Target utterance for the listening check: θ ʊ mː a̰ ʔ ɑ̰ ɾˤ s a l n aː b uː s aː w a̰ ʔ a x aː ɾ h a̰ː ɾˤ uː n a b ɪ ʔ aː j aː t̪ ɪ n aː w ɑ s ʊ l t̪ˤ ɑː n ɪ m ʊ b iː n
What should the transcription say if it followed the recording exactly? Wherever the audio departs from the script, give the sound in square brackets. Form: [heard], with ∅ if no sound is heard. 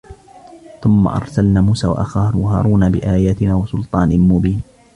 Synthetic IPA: θ ʊ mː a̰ ʔ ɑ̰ ɾˤ s a l n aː [m] uː s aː w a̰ ʔ a x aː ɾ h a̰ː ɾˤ uː n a b ɪ ʔ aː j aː t̪ ɪ n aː w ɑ s ʊ l t̪ˤ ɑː n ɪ m ʊ b iː n